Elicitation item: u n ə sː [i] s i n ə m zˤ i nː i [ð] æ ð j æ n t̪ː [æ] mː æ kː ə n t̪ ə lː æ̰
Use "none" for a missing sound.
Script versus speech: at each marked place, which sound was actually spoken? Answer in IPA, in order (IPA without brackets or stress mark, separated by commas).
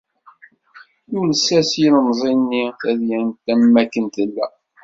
æ, θ, æ